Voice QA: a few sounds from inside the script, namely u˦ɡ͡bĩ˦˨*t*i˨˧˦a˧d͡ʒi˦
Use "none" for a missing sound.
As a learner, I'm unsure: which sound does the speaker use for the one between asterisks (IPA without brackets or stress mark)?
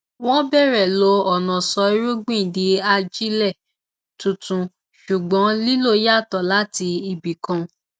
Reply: d